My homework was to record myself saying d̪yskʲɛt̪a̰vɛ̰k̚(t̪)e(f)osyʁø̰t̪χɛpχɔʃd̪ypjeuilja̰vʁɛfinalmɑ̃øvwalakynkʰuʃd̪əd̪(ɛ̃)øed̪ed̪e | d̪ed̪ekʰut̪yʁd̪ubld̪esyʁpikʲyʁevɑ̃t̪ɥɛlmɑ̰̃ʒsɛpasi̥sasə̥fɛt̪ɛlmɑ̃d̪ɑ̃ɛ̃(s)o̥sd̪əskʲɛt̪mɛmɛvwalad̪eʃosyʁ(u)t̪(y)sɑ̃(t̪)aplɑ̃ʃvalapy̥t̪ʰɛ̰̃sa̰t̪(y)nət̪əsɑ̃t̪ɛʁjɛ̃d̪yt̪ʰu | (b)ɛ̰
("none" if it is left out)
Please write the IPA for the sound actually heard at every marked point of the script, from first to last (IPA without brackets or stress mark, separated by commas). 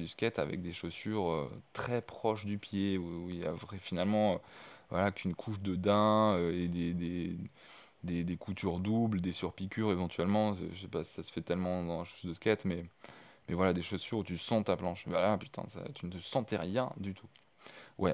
d̪, ʃ, ɛ̃, ʃ, u, y, t̪, y, w